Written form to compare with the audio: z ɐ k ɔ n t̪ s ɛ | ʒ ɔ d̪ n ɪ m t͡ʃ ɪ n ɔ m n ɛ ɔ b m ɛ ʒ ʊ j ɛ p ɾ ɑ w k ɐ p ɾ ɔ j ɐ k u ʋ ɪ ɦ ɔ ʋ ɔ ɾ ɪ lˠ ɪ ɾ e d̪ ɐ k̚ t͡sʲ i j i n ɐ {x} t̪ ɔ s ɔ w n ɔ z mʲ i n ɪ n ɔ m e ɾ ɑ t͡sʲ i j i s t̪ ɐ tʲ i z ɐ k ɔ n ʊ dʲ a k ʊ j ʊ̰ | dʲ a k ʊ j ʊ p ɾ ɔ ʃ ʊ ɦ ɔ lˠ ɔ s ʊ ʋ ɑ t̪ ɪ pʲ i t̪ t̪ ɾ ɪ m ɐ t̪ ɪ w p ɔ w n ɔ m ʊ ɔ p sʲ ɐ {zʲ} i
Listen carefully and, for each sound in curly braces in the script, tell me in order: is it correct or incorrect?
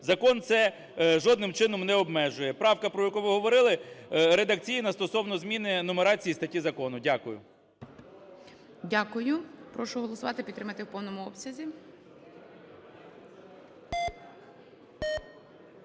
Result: incorrect: s, correct

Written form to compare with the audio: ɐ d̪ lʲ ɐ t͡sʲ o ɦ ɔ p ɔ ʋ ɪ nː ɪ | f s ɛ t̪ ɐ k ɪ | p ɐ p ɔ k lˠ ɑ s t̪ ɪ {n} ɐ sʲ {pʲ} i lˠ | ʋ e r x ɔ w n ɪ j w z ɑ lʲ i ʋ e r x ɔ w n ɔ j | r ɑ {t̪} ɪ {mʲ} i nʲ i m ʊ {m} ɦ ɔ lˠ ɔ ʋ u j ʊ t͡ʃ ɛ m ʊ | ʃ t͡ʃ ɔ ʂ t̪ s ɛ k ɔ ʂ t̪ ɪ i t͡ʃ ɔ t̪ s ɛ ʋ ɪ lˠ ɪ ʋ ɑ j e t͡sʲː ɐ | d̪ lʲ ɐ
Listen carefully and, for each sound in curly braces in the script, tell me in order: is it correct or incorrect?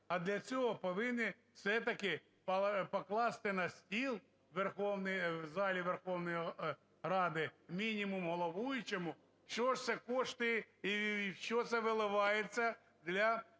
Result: correct, incorrect: tʲ, incorrect: d̪, correct, correct

